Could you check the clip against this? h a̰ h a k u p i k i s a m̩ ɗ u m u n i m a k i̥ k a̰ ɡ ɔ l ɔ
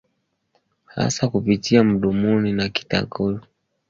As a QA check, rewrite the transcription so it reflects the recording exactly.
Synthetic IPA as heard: h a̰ s a k u p i t i a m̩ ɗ u m u n i n a k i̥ t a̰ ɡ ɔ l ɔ